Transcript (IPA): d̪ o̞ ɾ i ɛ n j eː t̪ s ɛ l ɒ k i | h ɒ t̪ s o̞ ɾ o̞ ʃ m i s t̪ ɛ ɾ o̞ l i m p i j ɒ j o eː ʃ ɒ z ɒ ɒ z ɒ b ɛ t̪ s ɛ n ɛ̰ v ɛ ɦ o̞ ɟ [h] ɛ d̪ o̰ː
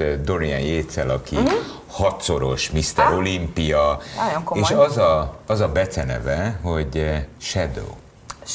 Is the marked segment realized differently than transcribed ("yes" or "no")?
yes